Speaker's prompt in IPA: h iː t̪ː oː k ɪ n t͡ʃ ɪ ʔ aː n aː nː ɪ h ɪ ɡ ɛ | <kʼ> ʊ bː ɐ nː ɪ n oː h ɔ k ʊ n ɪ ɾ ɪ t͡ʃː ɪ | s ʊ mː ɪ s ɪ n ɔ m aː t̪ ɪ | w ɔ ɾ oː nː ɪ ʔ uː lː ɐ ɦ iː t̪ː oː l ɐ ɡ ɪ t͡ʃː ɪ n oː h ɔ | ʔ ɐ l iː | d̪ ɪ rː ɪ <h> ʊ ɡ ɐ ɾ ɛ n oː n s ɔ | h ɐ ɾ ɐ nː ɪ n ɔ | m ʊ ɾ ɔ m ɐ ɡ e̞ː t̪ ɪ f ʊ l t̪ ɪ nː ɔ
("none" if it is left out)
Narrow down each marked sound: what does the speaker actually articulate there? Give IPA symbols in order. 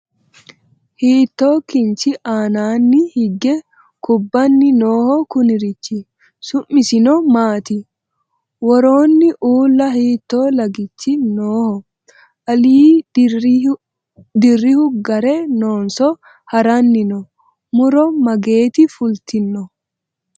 k, h

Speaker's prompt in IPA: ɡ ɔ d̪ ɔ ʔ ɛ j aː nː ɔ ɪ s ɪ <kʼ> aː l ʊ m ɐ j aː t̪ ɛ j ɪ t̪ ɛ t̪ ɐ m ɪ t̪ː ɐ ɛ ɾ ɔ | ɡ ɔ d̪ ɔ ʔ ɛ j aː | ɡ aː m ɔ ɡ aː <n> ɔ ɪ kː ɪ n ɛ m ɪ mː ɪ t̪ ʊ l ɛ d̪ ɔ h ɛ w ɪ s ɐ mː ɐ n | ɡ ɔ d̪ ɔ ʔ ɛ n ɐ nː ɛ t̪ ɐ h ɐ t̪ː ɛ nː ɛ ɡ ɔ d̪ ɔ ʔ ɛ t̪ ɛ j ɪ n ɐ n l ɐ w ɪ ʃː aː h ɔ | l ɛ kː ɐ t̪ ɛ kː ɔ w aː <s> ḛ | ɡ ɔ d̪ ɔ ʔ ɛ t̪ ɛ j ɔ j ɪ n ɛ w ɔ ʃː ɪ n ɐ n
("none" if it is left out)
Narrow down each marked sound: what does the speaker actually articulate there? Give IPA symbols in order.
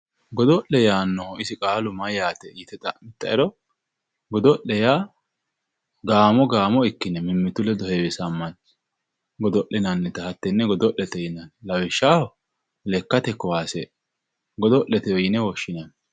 kʼ, m, s

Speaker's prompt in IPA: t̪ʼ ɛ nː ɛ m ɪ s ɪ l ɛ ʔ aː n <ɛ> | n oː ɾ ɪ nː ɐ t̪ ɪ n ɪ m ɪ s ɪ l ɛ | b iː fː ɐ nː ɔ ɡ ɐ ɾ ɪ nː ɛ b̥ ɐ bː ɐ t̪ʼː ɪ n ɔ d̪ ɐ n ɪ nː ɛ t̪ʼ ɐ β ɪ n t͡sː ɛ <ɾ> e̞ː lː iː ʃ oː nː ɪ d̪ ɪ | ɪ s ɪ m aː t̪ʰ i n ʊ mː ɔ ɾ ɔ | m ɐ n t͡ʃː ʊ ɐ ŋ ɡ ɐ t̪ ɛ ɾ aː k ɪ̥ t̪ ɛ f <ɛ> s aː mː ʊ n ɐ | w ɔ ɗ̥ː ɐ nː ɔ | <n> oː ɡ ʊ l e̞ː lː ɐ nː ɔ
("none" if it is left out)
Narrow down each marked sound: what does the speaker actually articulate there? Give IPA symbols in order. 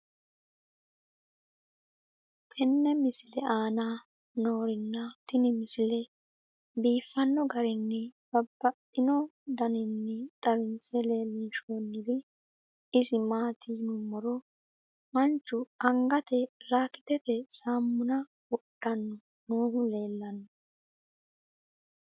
a, l, ɛ, n

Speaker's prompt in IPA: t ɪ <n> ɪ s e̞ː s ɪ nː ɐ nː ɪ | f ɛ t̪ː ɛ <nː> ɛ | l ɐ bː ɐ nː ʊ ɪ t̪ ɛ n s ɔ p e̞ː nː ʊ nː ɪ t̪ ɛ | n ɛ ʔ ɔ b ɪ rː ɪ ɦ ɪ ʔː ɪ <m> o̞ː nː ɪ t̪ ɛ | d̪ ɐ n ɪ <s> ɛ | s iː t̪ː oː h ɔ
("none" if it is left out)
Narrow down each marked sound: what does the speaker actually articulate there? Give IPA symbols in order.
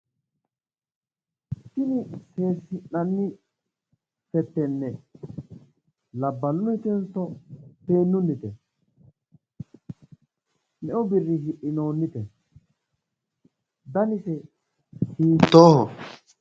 n, nː, n, s

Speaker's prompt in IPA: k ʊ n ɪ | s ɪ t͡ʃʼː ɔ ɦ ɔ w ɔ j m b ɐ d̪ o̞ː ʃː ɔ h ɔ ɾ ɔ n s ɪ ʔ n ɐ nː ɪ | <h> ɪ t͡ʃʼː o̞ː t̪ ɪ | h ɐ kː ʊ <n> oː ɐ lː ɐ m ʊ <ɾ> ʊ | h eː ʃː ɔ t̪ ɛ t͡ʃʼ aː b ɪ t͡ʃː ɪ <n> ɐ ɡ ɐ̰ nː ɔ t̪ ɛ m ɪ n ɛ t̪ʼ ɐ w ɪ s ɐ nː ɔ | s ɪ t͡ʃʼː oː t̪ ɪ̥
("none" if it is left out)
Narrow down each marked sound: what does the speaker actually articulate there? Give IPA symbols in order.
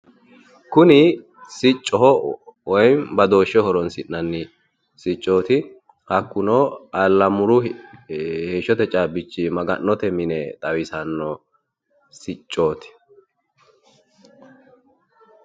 s, n, ɾ, m

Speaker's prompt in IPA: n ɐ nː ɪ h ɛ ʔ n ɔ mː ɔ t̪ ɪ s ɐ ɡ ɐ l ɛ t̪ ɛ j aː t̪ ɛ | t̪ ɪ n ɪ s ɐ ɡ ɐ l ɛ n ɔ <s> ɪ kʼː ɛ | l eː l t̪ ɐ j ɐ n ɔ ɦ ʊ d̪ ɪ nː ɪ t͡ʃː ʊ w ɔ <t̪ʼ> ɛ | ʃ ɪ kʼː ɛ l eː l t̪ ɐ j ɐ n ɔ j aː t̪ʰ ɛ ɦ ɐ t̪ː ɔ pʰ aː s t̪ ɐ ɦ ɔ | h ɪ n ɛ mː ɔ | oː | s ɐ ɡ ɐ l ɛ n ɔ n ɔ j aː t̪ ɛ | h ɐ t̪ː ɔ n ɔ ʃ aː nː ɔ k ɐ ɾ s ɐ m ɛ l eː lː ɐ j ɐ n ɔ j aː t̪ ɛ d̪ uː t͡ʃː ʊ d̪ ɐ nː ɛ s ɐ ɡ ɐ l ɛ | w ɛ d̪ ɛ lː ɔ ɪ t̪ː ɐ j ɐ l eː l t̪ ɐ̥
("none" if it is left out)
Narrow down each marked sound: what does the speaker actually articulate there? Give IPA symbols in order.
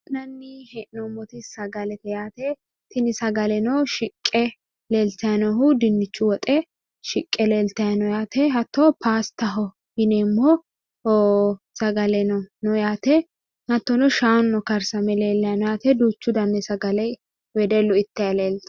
ʃ, t̪ʼ

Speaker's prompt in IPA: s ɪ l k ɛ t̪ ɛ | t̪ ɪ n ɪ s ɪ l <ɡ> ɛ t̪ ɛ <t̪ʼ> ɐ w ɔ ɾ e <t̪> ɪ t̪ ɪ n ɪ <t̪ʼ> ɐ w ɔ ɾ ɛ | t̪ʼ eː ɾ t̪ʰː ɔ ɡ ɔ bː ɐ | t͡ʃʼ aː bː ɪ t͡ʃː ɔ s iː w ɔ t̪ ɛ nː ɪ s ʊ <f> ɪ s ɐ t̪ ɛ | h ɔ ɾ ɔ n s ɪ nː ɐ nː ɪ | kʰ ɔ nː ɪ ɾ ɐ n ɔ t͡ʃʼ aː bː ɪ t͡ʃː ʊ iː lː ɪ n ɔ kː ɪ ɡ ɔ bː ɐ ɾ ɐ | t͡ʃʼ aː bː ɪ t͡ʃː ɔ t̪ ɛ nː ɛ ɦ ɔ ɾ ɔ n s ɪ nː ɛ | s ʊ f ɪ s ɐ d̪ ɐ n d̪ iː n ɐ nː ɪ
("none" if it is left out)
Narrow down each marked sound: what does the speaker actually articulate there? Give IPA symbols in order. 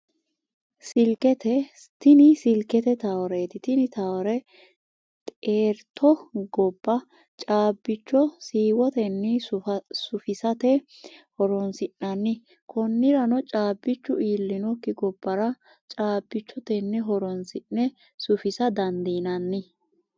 k, t̪, t̪, t̪, f

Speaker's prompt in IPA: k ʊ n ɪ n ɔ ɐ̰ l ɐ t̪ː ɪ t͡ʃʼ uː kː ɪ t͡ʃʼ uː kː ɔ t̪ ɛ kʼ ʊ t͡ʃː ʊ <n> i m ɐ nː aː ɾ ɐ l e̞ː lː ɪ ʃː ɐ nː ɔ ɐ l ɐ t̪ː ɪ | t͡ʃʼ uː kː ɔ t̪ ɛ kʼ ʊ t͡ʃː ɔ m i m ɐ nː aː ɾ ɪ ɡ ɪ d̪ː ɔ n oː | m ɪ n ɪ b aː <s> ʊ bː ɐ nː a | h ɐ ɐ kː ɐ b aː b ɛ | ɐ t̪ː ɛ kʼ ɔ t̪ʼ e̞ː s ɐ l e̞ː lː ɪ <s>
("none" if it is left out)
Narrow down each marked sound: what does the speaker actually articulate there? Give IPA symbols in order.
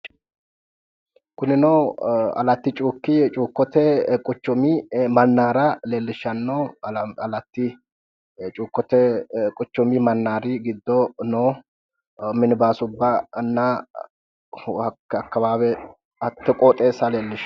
m, s, ʃ

